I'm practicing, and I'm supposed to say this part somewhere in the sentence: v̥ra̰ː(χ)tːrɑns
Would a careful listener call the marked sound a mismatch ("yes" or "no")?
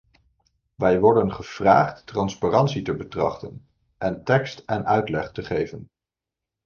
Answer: no